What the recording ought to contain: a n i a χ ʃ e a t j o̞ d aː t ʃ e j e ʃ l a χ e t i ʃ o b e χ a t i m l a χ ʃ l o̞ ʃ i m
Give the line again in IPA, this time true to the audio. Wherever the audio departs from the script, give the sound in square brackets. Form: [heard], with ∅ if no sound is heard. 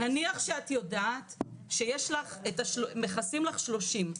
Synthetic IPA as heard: a n i a χ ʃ e a t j o̞ d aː t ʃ e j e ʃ l a χ e t [a] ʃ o [m] e χ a [s] i m l a χ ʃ l o̞ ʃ i m